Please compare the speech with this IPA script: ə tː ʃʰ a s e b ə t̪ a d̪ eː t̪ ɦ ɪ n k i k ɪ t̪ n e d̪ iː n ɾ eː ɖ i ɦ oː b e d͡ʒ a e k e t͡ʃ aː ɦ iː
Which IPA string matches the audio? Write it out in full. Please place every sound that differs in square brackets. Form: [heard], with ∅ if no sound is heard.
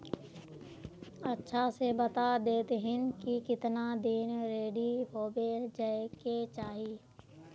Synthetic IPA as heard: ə tː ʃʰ a s e b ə t̪ a d̪ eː t̪ ɦ ɪ n k i k ɪ t̪ n [a] d̪ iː n ɾ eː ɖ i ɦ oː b e d͡ʒ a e k e t͡ʃ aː ɦ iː